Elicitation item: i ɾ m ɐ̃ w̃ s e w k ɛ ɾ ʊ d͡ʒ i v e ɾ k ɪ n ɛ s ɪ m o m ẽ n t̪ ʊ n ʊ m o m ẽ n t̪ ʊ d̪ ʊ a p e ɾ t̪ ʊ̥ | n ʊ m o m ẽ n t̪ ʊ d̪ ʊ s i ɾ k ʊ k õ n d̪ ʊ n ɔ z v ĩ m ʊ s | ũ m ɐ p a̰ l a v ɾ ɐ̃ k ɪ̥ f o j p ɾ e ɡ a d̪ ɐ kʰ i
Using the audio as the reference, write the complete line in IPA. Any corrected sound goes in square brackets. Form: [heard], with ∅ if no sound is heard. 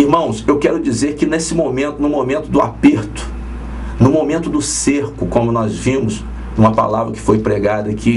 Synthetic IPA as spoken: i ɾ m ɐ̃ w̃ s e w k ɛ ɾ ʊ d͡ʒ i [z] e ɾ k ɪ n [e] s ɪ m o m ẽ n t̪ ʊ n ʊ m o m ẽ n t̪ ʊ d̪ ʊ a p e ɾ t̪ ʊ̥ | n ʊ m o m ẽ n t̪ ʊ d̪ ʊ s [e] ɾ k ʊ k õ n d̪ ʊ n ɔ z v ĩ m ʊ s | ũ m ɐ p a̰ l a v ɾ [ɐ] k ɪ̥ f o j p ɾ e ɡ a d̪ ɐ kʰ i